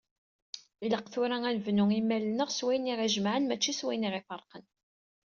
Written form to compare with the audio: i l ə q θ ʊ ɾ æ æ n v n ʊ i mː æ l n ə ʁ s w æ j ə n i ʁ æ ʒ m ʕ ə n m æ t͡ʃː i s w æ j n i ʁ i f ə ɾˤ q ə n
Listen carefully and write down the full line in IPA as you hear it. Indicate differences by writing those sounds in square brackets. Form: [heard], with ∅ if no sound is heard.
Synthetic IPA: i l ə q θ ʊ ɾ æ æ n v n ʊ i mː æ l n ə ʁ s w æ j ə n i ʁ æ ʒ m ʕ ə n m æ t͡ʃː i s w æ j n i ʁ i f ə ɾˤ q ə n